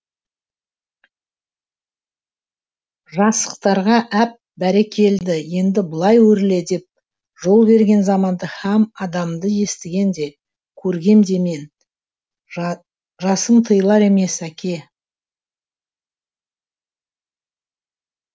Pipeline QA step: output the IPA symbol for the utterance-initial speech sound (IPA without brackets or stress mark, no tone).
ʒ